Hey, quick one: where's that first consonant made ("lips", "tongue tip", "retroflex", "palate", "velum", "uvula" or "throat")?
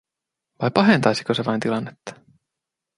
lips